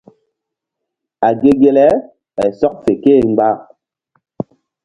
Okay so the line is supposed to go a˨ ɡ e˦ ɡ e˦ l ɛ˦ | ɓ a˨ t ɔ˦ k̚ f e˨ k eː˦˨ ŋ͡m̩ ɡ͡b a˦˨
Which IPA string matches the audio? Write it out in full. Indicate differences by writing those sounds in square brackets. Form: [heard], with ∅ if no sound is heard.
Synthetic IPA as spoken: a˨ ɡ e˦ ɡ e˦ l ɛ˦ | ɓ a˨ [s] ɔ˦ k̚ f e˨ k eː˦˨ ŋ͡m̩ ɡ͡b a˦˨